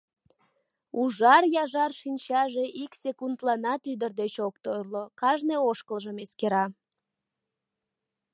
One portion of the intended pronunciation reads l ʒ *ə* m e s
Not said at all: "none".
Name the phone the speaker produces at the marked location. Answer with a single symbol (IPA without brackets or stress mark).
ə